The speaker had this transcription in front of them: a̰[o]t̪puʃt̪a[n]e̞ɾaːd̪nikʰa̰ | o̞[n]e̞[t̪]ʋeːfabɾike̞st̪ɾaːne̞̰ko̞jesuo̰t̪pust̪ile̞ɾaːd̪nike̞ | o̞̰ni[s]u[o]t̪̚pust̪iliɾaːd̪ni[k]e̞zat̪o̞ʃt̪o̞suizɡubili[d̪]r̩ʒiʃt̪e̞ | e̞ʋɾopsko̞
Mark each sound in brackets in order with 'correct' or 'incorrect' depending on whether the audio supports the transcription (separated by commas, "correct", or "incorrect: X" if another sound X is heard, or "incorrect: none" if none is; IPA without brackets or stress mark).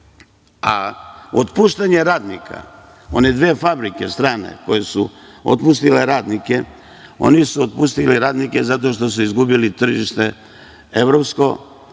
correct, incorrect: ɲ, correct, incorrect: d̪, correct, correct, correct, incorrect: t̪